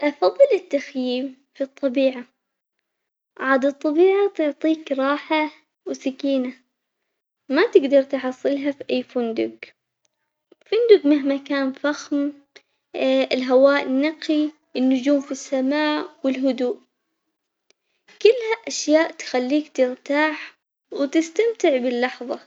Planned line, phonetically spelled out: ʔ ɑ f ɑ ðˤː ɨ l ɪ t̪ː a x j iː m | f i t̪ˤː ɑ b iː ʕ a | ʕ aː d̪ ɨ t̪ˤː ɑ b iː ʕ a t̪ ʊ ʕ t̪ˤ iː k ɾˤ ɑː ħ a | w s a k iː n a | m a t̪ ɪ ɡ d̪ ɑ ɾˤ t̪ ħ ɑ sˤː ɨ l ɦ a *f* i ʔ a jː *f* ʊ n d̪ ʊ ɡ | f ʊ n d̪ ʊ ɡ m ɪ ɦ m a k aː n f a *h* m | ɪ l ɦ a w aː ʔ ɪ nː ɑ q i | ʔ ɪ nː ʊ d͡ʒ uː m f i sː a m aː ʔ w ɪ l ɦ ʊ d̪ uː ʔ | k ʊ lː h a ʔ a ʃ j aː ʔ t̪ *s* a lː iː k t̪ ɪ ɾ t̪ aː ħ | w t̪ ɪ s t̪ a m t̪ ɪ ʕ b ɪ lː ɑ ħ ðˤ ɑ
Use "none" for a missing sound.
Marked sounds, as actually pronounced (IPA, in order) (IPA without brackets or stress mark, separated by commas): f, f, x, x